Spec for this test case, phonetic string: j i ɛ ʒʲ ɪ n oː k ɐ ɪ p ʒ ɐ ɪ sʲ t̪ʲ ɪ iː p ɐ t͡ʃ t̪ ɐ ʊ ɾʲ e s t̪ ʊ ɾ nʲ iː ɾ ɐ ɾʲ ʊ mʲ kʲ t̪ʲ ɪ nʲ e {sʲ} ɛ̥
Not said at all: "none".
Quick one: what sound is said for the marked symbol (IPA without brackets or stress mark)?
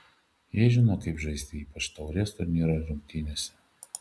sʲ